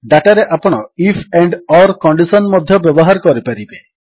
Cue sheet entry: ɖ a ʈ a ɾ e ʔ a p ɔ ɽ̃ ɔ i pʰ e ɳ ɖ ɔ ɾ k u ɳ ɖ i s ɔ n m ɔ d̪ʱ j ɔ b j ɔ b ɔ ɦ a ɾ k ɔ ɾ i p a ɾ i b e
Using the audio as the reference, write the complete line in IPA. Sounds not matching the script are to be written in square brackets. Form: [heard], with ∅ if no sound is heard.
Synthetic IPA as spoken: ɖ a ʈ a ɾ e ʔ a p ɔ ɽ̃ ɔ i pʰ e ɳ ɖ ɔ ɾ k [ɔ] ɳ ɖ i s ɔ n m ɔ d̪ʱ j ɔ b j ɔ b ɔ ɦ a ɾ k ɔ ɾ i p a ɾ i b e

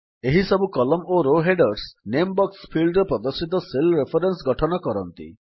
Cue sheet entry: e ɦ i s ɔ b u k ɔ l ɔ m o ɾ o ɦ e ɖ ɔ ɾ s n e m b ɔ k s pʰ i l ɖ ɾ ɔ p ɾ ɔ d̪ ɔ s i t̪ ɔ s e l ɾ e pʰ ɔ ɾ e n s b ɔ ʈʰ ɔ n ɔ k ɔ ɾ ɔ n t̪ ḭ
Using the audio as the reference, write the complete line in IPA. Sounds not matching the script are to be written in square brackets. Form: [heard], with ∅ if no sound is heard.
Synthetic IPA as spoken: e ɦ i s ɔ b u k ɔ l ɔ m o ɾ o ɦ e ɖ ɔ ɾ s n e m b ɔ k s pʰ i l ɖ ɾ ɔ p ɾ ɔ d̪ ɔ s i t̪ ɔ s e l ɾ e pʰ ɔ ɾ e n s [ɡ] ɔ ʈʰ ɔ n ɔ k ɔ ɾ ɔ n t̪ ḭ

